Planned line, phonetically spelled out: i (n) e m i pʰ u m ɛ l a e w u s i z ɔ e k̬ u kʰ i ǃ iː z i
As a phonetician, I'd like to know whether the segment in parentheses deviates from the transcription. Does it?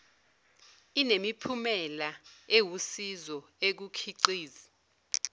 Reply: no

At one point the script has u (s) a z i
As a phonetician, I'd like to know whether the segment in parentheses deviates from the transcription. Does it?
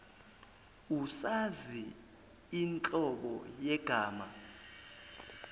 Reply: no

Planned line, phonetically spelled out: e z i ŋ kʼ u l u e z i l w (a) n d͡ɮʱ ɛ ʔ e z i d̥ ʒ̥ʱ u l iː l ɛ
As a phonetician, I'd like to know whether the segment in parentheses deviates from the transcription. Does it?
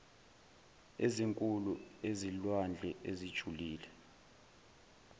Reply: no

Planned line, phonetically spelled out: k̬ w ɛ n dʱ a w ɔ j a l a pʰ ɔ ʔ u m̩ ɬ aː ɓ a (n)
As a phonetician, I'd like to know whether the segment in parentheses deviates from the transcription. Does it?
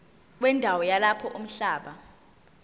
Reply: yes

